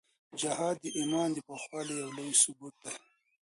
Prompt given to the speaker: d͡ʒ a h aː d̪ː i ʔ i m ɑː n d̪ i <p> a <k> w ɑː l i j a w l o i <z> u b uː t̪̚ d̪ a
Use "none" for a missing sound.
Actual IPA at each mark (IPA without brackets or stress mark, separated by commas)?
p, x, s